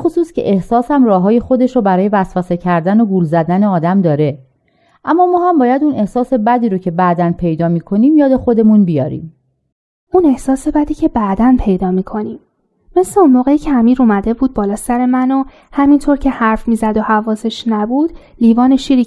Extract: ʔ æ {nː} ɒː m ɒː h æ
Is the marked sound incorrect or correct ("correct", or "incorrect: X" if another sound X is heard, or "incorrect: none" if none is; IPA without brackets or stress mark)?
incorrect: mː